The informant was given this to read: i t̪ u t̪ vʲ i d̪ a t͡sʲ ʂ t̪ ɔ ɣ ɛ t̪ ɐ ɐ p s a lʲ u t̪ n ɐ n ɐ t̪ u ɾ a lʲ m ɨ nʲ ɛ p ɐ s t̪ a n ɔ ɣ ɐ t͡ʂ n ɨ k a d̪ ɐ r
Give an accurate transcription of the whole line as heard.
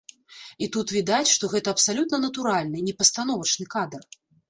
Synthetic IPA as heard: i t̪ u t̪ vʲ i d̪ a t͡sʲ ʂ t̪ ɔ ɣ ɛ t̪ ɐ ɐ p s a lʲ u t̪ n ɐ n ɐ t̪ u ɾ a lʲ n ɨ nʲ ɛ p ɐ s t̪ a n ɔ v ɐ t͡ʂ n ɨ k a d̪ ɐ r

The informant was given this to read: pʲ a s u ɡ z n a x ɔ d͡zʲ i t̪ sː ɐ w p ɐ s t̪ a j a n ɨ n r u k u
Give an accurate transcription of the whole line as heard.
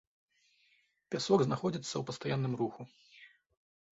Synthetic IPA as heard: pʲ a s ɔ ɡ z n a x ɔ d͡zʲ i t̪ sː ɐ w p ɐ s t̪ a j a nː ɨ m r u x u

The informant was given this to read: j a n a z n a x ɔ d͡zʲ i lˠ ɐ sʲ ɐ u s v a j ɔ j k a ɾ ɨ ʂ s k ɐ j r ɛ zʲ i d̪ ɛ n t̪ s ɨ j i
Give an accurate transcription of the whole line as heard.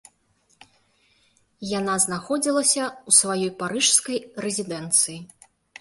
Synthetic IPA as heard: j a n a z n a x ɔ d͡zʲ i lˠ ɐ sʲ ɐ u s v a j ɔ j p a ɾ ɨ ʂ s k ɐ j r ɛ zʲ i d̪ ɛ n t̪ s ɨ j i

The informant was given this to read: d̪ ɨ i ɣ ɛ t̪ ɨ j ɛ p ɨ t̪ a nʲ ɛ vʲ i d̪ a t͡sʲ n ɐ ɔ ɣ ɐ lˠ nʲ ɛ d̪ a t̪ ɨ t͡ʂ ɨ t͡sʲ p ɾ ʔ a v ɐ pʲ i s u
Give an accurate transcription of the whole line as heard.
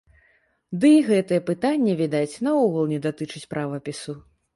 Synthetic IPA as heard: d̪ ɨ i ɣ ɛ t̪ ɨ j ɛ p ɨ t̪ a nʲː ɛ vʲ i d̪ a t͡sʲ n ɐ ɔ ɣ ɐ lˠ nʲ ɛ d̪ a t̪ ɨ t͡ʂ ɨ t͡sʲ p ɾ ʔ a v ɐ pʲ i s u

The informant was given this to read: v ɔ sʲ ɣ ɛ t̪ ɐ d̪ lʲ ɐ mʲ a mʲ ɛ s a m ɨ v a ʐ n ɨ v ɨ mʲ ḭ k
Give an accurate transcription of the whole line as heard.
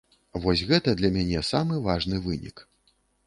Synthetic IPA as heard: v ɔ sʲ ɣ ɛ t̪ ɐ d̪ lʲ ɐ mʲ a nʲ ɛ s a m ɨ v a ʐ n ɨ v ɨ nʲ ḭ k

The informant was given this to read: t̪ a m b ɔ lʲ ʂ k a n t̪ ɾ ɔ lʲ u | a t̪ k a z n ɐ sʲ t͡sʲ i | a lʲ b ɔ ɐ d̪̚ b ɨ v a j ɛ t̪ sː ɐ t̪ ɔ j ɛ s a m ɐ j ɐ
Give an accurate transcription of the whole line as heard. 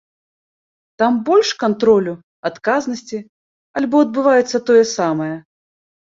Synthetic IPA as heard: t̪ a m b ɔ lʲ ʂ k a n t̪ ɾ ɔ lʲ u | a t̪ k a z n ɐ sʲ t͡sʲ i | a lʲ b ɔ ɐ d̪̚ b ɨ v a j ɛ t̪ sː ɐ t̪ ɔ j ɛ s a m ɐ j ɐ

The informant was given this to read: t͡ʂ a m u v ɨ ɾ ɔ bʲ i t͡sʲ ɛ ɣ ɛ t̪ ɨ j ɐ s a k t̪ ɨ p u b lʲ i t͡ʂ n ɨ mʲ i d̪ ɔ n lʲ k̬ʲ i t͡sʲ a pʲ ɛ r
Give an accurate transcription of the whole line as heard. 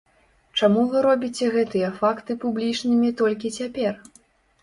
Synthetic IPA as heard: t͡ʂ a m u v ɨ ɾ ɔ bʲ i t͡sʲ ɛ ɣ ɛ t̪ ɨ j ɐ f a k t̪ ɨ p u b lʲ i t͡ʂ n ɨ mʲ i t̪ ɔ lʲ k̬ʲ i t͡sʲ a pʲ ɛ r

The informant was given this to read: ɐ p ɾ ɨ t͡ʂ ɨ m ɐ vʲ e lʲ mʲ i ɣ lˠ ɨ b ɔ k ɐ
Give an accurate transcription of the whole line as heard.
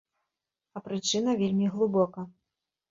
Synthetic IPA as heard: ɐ p ɾ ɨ t͡ʂ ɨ n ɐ vʲ e lʲ mʲ i ɣ lˠ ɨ b ɔ k ɐ

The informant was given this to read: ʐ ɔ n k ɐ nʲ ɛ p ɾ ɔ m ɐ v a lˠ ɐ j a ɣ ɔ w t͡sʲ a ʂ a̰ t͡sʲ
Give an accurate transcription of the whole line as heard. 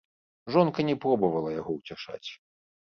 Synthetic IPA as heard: ʐ ɔ n k ɐ nʲ ɛ p ɾ ɔ b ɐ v ɐ lˠ ɐ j a ɣ ɔ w t͡sʲ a ʂ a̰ t͡sʲ

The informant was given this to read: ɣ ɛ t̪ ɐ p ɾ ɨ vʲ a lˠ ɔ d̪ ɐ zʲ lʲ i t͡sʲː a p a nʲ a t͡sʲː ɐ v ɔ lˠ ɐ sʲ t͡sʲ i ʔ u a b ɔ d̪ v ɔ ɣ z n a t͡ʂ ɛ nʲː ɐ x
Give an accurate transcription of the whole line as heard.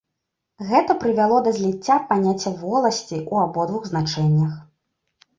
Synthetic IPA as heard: ɣ ɛ t̪ ɐ p ɾ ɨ vʲ a lˠ ɔ d̪ ɐ zʲ lʲ i t͡sʲː a p a nʲ a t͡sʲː ɐ v ɔ lˠ ɐ sʲ t͡sʲ i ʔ u a b ɔ d̪ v u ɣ z n a t͡ʂ ɛ nʲː ɐ x

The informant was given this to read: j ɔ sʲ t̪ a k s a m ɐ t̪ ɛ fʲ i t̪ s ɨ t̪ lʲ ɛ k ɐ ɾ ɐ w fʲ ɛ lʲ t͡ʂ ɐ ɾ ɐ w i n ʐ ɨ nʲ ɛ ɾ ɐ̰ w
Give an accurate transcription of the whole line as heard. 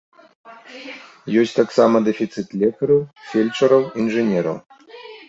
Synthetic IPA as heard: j ɔ sʲ t̪ a k s a m ɐ d̪ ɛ fʲ i t̪ s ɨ t̪ lʲ ɛ k ɐ ɾ ɐ w fʲ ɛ lʲ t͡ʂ ɐ ɾ ɐ w i n ʐ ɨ nʲ ɛ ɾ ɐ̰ w

